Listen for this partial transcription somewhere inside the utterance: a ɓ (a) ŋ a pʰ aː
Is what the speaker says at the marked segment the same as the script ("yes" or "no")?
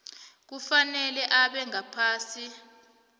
no